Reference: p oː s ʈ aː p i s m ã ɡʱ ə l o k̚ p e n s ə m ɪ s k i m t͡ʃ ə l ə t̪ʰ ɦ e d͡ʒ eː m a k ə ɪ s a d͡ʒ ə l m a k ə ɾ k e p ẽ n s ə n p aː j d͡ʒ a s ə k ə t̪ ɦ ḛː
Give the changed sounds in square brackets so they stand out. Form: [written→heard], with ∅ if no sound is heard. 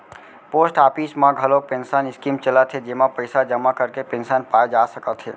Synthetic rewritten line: p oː s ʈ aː p i s m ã ɡʱ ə l o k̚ p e n s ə [m→n] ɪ s k i m t͡ʃ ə l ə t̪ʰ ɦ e d͡ʒ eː m a [k→p] ə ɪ s a d͡ʒ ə [l→∅] m a k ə ɾ k e p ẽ n s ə n p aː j d͡ʒ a s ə k ə t̪ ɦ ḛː